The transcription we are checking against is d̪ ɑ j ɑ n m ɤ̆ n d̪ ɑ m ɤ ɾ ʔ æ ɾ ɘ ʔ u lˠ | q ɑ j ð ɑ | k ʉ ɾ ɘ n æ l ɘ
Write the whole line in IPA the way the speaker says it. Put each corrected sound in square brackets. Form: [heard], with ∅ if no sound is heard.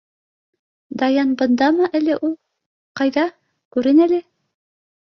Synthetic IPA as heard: d̪ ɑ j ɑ n [b] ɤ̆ n d̪ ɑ m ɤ [∅] ʔ æ [l] ɘ ʔ u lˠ | q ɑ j ð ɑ | k ʉ ɾ ɘ n æ l ɘ